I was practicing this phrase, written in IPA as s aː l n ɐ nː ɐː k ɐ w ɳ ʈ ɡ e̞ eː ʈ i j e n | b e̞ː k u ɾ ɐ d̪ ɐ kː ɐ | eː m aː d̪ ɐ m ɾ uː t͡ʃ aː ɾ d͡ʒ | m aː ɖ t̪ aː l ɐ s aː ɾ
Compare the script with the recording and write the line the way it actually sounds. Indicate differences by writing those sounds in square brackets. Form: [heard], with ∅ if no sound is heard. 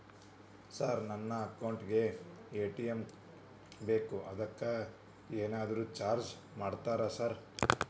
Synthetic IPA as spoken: s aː [ɾ] n ɐ nː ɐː k ɐ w ɳ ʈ ɡ e̞ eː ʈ i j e [m] | b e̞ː k u [∅] ɐ d̪ ɐ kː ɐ | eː [n] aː d̪ ɐ [∅] ɾ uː t͡ʃ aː ɾ d͡ʒ | m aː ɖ t̪ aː [ɾ] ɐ s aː ɾ